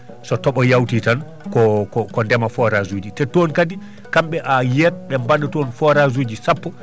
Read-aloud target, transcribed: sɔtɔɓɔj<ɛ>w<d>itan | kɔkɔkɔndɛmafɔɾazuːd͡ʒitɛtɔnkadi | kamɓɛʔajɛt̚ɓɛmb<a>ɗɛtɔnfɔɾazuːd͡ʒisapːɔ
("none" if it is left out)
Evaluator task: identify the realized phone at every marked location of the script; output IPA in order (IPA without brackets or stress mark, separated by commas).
a, t, a